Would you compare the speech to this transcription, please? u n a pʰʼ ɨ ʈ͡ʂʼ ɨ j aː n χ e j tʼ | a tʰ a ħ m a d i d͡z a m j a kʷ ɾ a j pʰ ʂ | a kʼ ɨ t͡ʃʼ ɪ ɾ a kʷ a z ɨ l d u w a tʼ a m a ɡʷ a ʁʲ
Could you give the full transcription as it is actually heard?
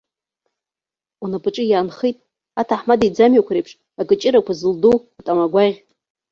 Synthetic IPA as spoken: u n a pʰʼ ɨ ʈ͡ʂʼ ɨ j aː n χ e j tʼ | a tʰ a ħ m a d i d͡z a m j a kʷ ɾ e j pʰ ʂ | a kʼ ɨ t͡ʃʼ ɪ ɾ a kʷ a z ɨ l d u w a tʼ a m a ɡʷ a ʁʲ